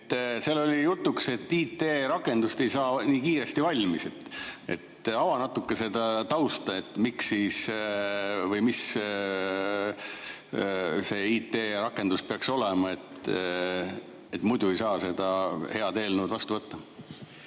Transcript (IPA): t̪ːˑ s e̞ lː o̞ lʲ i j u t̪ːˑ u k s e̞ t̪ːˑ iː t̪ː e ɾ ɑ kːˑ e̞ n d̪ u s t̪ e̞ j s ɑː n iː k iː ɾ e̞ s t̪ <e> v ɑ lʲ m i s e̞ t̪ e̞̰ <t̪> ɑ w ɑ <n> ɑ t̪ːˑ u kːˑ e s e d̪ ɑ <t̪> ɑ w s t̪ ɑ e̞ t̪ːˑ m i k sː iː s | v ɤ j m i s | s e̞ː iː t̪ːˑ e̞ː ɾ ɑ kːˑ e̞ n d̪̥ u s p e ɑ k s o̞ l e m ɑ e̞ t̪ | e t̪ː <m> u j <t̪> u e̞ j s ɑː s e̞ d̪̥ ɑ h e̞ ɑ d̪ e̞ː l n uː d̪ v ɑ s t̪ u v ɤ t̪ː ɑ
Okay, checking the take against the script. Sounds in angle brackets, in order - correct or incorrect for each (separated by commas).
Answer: incorrect, correct, correct, correct, correct, incorrect